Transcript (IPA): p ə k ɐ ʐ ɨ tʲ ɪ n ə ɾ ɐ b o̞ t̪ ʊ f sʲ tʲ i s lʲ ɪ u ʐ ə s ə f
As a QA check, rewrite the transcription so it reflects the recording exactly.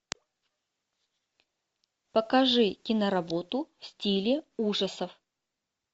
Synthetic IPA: p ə k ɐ ʐ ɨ kʲ ɪ n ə ɾ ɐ b o̞ t̪ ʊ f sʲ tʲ i lʲ ɪ u ʐ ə s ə f

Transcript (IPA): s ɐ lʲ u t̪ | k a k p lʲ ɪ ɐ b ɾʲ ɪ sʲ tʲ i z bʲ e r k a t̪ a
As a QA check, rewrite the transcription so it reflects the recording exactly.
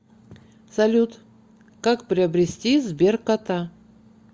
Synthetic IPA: s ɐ lʲ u t̪ | k a k p ɾʲ ɪ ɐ b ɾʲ ɪ sʲ tʲ i z bʲ e r k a t̪ a

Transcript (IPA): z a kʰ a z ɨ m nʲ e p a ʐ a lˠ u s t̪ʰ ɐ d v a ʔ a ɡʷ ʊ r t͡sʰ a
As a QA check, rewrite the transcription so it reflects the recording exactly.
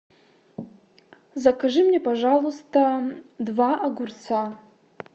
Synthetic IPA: z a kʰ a ʐ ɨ m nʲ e p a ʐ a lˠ u s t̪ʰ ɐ d v a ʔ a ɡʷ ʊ r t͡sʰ a

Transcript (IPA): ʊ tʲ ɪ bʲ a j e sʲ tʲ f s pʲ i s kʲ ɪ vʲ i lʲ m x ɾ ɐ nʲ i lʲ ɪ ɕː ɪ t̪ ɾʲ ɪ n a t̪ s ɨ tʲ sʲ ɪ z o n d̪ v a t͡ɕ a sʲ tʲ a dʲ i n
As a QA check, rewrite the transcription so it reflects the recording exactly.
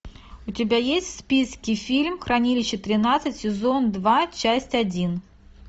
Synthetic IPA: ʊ tʲ ɪ bʲ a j e sʲ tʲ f s pʲ i s kʲ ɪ fʲ i lʲ m x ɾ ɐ nʲ i lʲ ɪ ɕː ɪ t̪ ɾʲ ɪ n a t̪ s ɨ tʲ sʲ ɪ z o n d̪ v a t͡ɕ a sʲ tʲ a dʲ i n

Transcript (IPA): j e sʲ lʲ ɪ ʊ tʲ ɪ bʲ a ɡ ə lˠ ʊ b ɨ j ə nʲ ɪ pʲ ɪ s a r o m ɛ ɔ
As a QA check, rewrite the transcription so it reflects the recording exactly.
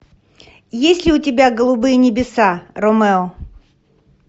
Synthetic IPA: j e sʲ lʲ ɪ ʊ tʲ ɪ bʲ a ɡ ə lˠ ʊ b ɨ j ə nʲ ɪ bʲ ɪ s a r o m ɛ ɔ

